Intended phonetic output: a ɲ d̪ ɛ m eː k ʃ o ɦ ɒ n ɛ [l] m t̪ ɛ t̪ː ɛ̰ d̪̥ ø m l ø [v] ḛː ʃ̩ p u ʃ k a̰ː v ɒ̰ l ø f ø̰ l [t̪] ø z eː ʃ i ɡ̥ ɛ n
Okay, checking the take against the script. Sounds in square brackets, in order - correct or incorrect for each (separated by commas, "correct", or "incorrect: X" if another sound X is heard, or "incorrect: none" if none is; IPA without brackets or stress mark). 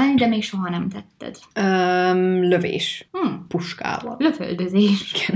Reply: incorrect: none, correct, incorrect: d̪